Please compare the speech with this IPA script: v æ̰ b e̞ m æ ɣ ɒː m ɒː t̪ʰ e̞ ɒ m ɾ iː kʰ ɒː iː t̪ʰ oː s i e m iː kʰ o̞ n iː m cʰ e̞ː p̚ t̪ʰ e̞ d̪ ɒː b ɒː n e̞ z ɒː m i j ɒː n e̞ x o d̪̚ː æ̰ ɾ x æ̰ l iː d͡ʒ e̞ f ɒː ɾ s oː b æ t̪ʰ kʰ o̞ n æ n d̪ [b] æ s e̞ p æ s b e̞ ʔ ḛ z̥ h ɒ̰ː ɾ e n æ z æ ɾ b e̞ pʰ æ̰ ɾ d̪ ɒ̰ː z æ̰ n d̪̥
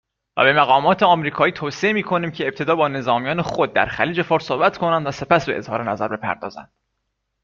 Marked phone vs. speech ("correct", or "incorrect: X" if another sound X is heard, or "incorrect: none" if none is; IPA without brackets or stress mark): incorrect: v